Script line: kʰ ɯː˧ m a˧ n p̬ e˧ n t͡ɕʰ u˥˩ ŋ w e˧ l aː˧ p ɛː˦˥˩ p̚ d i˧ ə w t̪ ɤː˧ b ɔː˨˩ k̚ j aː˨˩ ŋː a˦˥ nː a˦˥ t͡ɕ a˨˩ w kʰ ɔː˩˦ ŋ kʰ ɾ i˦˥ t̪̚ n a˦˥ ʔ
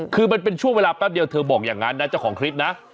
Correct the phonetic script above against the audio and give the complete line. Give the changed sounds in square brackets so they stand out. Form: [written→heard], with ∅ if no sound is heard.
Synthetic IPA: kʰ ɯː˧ m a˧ n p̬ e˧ n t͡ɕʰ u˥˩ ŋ w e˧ l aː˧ p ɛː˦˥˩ p̚ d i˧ ə w [t̪→t̪ʰ] ɤː˧ b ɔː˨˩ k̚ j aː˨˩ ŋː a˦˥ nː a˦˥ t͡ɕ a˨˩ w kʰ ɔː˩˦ ŋ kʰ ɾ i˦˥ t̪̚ n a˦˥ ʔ